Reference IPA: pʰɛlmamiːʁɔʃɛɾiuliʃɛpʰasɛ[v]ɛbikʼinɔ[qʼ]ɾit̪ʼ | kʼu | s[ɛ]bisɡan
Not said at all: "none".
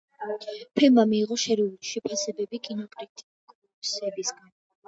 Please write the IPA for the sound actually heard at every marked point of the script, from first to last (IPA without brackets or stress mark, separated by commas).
b, kʼ, ɛ